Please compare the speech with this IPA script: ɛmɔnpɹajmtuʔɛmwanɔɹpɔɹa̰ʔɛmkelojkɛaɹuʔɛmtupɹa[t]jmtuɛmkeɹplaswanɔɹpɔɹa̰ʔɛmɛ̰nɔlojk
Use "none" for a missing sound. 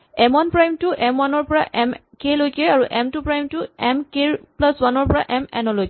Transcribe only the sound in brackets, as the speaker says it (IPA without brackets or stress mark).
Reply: none